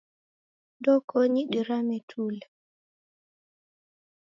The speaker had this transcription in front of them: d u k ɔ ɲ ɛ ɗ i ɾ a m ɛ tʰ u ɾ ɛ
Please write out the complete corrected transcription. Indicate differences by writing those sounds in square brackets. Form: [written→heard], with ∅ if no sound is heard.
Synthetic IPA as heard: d [u→ɔ] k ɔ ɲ [ɛ→i] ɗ i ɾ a m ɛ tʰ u [ɾ→l] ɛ